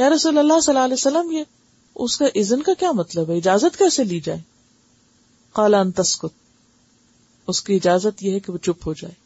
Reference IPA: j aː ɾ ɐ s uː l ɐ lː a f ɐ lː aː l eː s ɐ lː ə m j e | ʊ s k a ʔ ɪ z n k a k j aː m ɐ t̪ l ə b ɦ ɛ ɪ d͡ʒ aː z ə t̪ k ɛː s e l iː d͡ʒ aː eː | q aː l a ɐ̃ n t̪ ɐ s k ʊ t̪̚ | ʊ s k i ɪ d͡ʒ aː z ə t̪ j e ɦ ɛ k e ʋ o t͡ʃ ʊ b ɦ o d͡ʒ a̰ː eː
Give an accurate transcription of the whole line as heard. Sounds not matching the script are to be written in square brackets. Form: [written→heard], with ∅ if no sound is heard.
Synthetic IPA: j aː ɾ ɐ s uː l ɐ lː a [f→s] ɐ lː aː l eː s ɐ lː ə m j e | ʊ s k a ʔ ɪ z n k a k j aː m ɐ t̪ l ə b ɦ ɛ ɪ d͡ʒ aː z ə t̪ k ɛː s e l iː d͡ʒ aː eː | q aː l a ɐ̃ n t̪ ɐ s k ʊ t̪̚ | ʊ s k i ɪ d͡ʒ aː z ə t̪ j e ɦ ɛ k e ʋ o t͡ʃ ʊ [b→p] ɦ o d͡ʒ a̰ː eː